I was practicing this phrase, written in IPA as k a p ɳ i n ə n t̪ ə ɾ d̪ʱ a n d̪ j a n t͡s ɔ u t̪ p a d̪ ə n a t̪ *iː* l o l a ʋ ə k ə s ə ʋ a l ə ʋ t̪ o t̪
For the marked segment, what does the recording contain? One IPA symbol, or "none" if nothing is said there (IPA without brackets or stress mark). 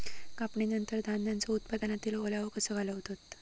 iː